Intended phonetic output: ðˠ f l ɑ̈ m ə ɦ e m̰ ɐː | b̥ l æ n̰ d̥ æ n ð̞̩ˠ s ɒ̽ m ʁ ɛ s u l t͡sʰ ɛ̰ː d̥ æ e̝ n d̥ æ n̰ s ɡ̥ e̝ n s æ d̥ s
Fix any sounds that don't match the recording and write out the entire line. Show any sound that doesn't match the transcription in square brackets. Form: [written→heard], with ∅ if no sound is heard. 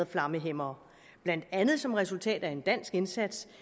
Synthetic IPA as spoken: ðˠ f l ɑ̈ m ə ɦ e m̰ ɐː | b̥ l æ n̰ d̥ æ n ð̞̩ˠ s ɒ̽ m ʁ ɛ s u l t͡sʰ ɛ̰ː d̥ æ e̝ n d̥ æ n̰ s ɡ̥ e̝ n s æ d̥ s